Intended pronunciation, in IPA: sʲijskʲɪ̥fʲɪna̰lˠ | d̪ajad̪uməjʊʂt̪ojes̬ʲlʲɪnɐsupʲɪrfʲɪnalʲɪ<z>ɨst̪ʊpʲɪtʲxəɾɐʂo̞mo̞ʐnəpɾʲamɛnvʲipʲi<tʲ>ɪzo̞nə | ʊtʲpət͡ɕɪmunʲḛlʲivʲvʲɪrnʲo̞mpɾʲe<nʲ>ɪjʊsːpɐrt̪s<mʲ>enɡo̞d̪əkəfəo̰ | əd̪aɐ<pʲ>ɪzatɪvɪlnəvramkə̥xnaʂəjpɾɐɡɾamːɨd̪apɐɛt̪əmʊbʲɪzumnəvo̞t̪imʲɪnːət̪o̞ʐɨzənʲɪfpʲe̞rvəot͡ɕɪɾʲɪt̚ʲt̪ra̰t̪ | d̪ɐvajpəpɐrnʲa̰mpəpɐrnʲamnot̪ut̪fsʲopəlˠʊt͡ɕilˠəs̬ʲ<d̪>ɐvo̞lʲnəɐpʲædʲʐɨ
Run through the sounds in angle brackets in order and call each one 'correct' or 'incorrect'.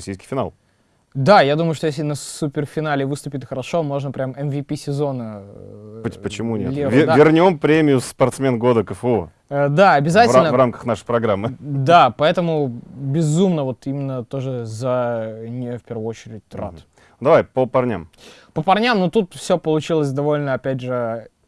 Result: incorrect, incorrect, incorrect, correct, incorrect, correct

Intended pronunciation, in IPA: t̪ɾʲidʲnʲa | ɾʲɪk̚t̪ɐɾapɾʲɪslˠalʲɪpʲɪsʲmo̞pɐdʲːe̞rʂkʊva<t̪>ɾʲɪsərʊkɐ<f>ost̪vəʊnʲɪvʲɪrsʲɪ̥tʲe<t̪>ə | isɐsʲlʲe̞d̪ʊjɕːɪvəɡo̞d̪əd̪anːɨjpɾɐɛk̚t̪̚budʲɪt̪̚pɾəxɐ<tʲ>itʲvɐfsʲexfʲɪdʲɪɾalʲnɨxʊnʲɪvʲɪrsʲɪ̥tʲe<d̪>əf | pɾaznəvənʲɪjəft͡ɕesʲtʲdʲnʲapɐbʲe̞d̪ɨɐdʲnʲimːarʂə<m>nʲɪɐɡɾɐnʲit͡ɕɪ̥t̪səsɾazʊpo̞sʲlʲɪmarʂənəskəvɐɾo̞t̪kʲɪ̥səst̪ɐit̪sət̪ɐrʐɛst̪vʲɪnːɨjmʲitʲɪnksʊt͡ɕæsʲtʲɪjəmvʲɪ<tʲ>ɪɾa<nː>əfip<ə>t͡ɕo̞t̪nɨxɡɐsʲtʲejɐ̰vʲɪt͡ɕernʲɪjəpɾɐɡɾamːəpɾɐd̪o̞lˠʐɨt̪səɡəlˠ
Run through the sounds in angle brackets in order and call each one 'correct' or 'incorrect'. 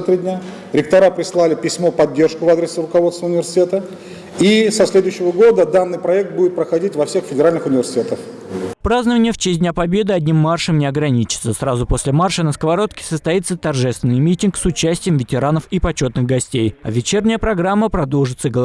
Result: incorrect, incorrect, correct, incorrect, incorrect, correct, correct, incorrect, incorrect

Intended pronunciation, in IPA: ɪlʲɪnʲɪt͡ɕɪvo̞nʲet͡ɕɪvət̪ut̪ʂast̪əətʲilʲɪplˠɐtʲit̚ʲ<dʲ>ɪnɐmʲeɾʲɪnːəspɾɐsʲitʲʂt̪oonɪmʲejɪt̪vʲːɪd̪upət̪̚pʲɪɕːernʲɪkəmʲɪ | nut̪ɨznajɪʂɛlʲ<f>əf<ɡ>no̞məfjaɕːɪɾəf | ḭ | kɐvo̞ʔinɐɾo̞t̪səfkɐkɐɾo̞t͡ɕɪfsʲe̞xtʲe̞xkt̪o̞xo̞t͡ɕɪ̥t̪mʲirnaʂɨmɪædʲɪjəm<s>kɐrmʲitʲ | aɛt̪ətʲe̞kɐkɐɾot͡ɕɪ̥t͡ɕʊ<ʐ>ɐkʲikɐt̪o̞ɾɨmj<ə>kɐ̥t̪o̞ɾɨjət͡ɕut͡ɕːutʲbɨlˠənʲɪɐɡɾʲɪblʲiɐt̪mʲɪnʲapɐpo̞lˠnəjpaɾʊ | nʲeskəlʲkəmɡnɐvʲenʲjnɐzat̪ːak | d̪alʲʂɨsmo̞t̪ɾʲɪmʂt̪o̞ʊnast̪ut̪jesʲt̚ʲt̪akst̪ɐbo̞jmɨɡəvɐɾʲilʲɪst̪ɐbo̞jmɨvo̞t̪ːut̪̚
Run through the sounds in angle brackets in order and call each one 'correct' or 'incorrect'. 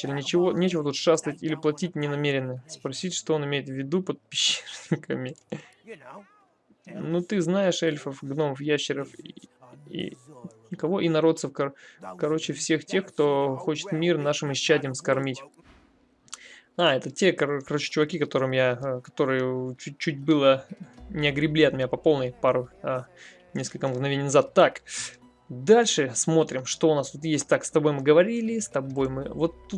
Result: incorrect, correct, correct, correct, incorrect, incorrect

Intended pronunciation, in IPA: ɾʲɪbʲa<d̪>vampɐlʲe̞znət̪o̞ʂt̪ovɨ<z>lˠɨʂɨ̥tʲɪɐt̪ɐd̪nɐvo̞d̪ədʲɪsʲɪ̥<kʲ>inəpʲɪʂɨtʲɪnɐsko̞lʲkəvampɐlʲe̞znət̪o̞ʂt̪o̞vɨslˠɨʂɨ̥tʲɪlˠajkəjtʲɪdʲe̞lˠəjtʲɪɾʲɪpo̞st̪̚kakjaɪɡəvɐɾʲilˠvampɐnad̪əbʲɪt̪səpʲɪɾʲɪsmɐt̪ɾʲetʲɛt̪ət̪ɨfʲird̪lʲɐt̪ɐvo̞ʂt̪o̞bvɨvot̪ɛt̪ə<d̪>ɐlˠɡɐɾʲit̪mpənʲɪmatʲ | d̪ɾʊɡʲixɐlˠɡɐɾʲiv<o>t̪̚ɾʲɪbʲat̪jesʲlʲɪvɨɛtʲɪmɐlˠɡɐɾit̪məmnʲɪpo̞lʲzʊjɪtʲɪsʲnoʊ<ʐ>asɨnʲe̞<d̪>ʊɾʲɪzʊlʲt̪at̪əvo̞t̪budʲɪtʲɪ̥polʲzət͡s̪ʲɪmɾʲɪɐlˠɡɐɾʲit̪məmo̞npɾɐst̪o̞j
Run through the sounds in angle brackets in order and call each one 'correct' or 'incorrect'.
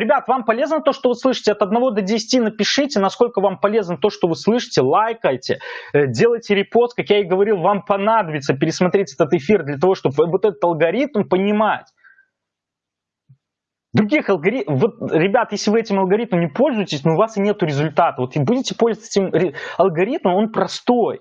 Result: incorrect, incorrect, incorrect, incorrect, correct, incorrect, incorrect

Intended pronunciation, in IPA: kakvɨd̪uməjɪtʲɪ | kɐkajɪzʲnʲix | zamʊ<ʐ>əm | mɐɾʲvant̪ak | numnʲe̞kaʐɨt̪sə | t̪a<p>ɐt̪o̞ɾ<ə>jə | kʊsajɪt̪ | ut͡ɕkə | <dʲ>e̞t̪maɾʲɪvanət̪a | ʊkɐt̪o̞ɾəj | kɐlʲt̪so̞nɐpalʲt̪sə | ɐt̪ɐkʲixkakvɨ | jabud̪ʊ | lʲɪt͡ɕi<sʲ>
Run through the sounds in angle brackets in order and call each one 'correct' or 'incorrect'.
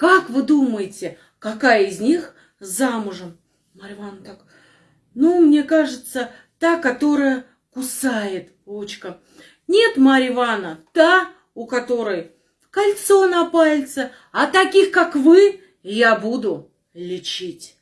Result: correct, incorrect, correct, incorrect, incorrect

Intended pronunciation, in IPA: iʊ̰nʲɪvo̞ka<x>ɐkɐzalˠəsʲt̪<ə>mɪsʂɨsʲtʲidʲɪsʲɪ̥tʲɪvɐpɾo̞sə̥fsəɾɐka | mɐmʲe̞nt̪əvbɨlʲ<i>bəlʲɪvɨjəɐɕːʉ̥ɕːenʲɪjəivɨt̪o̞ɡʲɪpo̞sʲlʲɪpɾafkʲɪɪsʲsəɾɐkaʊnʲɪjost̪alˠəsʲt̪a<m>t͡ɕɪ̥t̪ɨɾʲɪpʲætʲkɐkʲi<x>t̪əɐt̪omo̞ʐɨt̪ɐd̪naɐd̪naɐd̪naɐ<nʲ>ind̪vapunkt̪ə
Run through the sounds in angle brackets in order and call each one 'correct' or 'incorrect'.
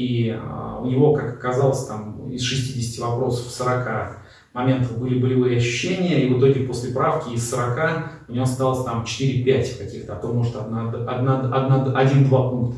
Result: incorrect, incorrect, incorrect, correct, correct, incorrect

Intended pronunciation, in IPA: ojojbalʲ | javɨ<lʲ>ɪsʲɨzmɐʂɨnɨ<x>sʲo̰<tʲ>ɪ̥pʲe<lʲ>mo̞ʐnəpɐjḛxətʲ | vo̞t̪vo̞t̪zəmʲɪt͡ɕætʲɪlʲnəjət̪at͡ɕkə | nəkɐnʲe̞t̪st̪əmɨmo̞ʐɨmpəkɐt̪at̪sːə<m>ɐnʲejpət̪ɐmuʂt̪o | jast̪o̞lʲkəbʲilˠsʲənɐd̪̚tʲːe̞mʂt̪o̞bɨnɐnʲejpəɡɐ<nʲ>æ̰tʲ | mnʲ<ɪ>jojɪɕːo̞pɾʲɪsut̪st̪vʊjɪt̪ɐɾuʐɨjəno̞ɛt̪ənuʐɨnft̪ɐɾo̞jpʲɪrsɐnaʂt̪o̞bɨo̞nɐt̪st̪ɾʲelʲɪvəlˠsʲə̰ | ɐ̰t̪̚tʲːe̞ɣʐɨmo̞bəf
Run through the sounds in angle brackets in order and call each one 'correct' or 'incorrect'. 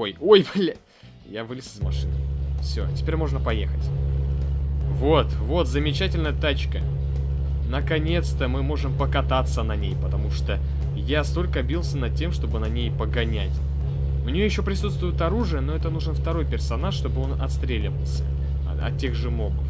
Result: correct, incorrect, correct, incorrect, incorrect, correct, correct

